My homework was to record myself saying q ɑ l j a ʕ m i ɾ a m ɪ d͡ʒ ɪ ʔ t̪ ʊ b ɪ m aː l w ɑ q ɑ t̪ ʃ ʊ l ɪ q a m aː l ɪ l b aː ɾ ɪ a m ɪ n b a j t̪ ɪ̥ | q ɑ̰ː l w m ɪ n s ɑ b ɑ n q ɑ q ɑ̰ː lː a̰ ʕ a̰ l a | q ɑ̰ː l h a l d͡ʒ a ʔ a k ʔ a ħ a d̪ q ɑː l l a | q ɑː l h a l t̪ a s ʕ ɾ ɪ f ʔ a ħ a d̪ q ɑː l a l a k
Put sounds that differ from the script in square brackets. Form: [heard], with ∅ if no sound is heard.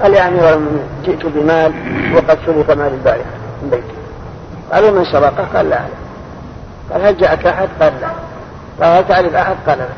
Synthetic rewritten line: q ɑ l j a ʕ m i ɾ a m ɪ d͡ʒ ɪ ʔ t̪ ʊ b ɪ m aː l w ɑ q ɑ [d̪] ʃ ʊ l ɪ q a m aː l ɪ l b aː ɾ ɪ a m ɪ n b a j t̪ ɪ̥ | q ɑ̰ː l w m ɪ n s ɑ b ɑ [∅] q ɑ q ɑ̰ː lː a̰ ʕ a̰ l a | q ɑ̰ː l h a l d͡ʒ a ʔ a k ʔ a ħ a d̪ q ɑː l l a | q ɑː l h a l t̪ a [∅] ʕ ɾ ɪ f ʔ a ħ a d̪ q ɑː l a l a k